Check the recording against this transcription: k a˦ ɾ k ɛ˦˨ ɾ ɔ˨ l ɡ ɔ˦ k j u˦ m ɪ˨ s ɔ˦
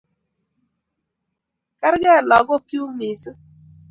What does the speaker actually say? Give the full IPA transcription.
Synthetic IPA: k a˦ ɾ ɡ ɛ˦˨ l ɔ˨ ɡ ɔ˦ k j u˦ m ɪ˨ s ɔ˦